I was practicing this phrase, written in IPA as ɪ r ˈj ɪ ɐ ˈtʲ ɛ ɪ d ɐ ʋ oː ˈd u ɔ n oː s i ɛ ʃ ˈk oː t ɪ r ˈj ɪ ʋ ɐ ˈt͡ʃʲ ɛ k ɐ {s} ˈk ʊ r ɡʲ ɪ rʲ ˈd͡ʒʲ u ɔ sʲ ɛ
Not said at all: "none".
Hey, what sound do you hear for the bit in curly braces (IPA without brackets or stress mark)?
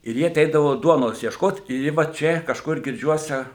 ʃ